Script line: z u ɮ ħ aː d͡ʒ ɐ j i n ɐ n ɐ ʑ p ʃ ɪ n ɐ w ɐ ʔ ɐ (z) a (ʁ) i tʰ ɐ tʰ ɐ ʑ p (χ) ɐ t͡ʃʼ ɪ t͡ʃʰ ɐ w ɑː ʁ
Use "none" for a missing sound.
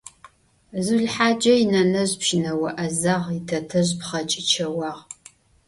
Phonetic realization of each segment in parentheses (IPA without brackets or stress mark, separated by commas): z, ʁ, χ